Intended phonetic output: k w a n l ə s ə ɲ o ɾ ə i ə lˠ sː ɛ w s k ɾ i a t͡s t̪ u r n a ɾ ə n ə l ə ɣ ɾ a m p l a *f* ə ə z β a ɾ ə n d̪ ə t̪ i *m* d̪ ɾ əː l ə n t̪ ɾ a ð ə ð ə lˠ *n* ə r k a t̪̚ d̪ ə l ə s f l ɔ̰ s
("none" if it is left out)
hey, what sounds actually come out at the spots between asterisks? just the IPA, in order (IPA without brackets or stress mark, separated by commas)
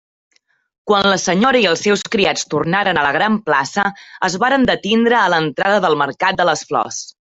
s, n, m